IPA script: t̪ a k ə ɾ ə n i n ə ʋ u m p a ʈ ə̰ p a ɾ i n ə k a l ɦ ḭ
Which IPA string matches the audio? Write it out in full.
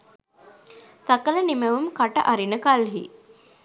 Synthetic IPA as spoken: t̪ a k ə l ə n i m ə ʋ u m k a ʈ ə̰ ʔ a ɾ i n ə k a l ɦ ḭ

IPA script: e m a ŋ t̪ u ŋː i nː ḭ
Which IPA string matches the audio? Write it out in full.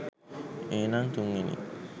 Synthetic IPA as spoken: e n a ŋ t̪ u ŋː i n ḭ

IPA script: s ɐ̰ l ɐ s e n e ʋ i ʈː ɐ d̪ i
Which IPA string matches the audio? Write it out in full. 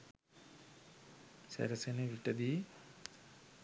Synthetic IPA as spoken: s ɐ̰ ɾ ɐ s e n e ʋ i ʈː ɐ d̪ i

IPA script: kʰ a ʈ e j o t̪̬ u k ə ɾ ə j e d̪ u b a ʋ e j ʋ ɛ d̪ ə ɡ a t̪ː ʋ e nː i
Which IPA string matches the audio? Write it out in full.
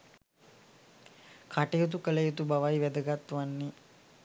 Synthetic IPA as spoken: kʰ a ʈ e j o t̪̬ u k ə l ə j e t̪ u b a ʋ a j ʋ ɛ d̪ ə ɡ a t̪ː ʋ a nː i

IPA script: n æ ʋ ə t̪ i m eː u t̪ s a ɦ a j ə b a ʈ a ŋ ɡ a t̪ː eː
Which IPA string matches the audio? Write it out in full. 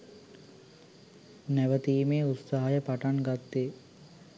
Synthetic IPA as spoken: n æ ʋ ə t̪ iː m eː u t̪ s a ɦ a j ə p a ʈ a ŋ ɡ a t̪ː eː

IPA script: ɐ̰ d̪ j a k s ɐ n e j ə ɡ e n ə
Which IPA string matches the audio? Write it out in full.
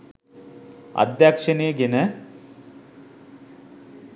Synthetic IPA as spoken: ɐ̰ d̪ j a k ʂ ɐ n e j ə ɡ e n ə

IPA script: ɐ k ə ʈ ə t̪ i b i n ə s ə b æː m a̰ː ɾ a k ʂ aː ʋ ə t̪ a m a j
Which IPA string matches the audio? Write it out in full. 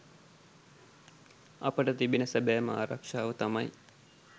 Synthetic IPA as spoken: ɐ p ə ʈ ə t̪ i b i n ə s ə b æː m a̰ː ɾ a k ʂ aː ʋ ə t̪ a m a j

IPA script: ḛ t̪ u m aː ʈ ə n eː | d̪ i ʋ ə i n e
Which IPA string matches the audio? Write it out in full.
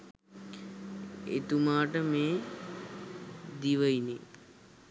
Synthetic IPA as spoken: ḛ t̪ u m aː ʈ ə m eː | d̪ i ʋ ə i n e

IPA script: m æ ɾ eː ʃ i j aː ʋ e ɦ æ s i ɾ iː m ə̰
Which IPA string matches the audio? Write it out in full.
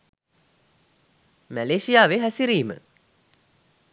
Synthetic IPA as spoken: m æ l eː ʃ i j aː ʋ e ɦ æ s i ɾ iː m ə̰

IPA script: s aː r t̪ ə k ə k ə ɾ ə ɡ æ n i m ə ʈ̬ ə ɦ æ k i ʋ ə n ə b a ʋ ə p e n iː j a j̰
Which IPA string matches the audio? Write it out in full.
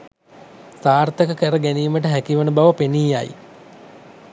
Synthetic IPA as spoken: s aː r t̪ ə k ə k ə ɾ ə ɡ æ n iː m ə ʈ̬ ə ɦ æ k i ʋ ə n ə b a ʋ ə p e n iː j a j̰

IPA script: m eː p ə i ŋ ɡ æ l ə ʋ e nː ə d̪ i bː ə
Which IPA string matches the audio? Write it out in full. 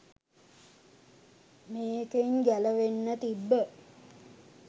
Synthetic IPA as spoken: m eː k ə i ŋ ɡ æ l ə ʋ e nː ə t̪ i bː ə

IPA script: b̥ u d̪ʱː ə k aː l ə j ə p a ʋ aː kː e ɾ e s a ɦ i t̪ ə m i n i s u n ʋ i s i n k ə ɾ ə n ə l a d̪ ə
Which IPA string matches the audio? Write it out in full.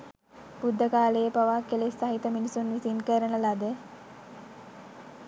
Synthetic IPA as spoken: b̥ u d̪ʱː ə k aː l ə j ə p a ʋ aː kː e l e s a ɦ i t̪ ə m i n i s u n ʋ i s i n k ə ɾ ə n ə l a d̪ ə

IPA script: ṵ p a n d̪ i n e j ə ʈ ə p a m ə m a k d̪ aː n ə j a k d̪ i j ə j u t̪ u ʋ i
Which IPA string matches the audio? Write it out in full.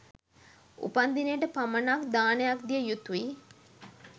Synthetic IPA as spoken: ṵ p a n d̪ i n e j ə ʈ ə p a m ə n a k d̪ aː n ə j a k d̪ i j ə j u t̪ u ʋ i

